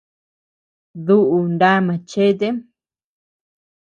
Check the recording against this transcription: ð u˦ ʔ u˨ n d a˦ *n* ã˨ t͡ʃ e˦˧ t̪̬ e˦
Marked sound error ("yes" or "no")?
yes